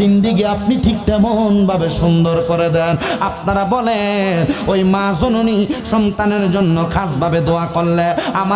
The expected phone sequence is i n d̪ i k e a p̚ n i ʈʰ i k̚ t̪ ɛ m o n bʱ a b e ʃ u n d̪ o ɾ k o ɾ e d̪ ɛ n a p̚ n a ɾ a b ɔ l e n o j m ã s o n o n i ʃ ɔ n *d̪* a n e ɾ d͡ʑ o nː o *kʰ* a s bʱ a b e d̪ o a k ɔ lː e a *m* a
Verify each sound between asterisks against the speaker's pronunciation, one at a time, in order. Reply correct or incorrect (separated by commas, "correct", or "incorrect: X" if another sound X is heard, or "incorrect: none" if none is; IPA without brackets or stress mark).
incorrect: t̪, correct, correct